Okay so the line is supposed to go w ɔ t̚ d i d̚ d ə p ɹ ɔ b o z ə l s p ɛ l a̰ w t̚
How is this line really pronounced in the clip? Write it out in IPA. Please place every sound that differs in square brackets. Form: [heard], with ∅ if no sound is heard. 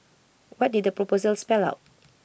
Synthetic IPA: w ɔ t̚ d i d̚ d ə p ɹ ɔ [p] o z ə l s p ɛ l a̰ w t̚